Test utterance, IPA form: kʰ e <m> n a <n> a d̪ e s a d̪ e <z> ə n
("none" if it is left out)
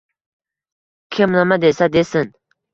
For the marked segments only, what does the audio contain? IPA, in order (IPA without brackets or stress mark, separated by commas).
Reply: m, m, s